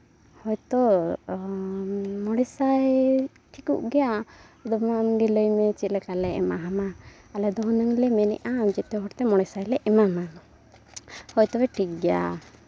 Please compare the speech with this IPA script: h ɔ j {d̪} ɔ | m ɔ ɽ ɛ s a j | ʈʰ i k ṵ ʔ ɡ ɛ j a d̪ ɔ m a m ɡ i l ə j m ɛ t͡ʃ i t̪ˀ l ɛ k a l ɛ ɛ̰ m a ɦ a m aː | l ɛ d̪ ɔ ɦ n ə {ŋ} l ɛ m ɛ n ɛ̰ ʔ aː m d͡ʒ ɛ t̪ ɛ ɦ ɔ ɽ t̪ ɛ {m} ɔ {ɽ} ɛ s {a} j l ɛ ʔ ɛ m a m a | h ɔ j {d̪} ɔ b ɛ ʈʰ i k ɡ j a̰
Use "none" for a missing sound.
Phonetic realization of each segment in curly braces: t̪, ŋ, m, ɽ, a, t̪

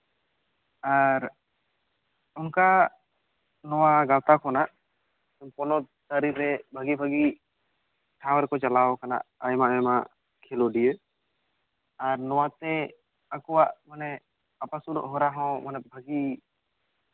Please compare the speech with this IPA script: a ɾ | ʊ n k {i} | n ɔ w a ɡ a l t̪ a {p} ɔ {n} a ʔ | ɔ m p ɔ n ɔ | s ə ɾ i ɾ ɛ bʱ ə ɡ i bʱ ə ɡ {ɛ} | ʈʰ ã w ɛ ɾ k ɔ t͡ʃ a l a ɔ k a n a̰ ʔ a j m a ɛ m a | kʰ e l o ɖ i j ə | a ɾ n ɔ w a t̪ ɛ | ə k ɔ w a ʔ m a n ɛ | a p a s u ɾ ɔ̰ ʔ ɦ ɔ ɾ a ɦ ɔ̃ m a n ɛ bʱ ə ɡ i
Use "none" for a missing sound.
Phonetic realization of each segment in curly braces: a, k, n, i

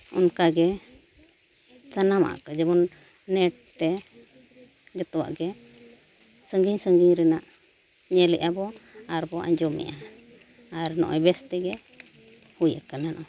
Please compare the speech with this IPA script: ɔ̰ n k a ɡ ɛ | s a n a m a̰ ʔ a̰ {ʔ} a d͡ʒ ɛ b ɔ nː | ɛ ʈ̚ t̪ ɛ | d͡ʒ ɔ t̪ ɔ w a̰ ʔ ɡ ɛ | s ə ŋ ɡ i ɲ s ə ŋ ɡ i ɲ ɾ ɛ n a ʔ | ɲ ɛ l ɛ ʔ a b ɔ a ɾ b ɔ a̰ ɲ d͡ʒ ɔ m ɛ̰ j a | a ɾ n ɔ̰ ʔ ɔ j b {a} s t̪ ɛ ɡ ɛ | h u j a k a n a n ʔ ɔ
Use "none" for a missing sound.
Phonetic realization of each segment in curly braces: k, ɛ

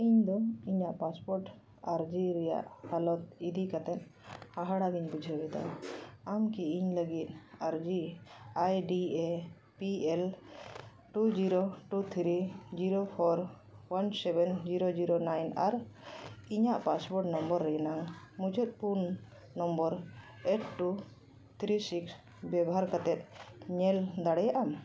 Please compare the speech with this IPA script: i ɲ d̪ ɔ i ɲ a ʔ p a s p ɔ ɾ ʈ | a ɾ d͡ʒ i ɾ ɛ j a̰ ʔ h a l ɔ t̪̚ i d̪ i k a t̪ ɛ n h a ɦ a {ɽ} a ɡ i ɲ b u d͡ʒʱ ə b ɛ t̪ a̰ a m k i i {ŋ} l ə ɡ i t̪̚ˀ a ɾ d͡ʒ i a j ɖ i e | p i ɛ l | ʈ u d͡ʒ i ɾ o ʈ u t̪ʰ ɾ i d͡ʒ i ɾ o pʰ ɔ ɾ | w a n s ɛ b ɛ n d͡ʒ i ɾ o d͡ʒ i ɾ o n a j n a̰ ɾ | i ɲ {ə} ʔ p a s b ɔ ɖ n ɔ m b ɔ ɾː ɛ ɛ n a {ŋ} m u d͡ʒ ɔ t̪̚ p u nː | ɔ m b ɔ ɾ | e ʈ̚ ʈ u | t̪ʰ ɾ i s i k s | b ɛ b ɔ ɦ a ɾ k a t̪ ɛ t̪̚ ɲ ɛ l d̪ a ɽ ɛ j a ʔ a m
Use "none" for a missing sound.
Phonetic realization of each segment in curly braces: ɽ, ɲ, a, ŋ

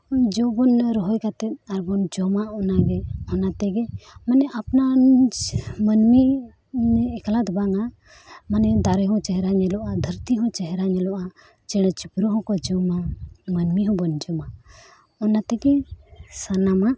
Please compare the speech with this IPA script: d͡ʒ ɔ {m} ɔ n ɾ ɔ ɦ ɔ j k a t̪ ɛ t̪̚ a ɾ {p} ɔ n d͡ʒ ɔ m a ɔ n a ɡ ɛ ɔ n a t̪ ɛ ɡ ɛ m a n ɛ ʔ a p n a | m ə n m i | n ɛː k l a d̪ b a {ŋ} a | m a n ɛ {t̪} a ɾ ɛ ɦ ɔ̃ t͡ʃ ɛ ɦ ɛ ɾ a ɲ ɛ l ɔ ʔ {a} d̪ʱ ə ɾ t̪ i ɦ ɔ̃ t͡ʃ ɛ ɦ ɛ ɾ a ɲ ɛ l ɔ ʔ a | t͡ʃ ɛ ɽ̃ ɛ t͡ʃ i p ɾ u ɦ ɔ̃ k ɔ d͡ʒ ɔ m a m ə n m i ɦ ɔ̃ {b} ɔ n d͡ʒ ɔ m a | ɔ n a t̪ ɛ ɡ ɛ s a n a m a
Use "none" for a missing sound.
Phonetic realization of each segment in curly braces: b, b, ŋ, d̪, a, b

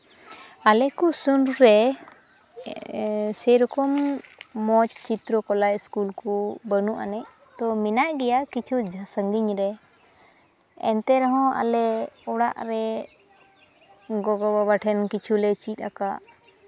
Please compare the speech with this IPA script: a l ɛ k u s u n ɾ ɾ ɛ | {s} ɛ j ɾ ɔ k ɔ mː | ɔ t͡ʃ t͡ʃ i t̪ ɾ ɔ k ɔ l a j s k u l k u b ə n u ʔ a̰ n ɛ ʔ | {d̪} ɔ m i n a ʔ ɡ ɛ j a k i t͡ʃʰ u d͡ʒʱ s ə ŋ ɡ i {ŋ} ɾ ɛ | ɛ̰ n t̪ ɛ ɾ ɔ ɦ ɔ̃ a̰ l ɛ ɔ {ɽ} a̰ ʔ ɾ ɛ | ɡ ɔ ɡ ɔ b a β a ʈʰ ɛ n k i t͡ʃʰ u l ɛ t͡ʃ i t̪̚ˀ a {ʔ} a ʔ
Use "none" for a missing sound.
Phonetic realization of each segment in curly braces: s, t̪, ɲ, ɽ, k

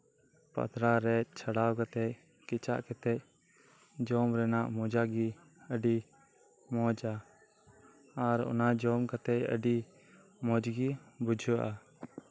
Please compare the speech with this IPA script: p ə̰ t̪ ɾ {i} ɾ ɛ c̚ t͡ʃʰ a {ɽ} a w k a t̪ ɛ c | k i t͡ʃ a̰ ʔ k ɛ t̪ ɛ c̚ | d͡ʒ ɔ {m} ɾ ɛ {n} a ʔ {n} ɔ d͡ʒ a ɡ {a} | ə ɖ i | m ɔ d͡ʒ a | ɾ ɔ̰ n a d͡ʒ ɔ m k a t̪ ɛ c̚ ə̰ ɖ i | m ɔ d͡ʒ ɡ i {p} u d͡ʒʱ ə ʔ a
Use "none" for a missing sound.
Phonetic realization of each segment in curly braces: a, ɽ, m, n, m, i, b

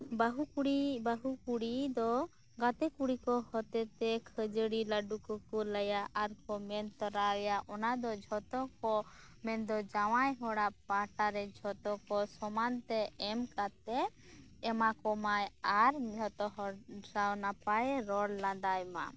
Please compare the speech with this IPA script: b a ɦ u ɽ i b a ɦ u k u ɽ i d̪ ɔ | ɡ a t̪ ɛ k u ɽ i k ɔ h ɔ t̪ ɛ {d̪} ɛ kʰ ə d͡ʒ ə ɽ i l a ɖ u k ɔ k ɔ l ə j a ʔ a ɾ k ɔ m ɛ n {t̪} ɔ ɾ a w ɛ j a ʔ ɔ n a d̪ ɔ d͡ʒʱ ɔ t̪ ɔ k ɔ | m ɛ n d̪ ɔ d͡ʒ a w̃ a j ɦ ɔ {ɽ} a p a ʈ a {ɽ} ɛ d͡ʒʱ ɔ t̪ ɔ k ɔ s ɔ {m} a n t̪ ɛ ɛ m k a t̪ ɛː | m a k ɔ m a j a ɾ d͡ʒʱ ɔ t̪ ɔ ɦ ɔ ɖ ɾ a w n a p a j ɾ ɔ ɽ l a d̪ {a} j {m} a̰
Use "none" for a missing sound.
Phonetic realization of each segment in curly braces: t̪, t̪, ɽ, ɾ, m, a, m

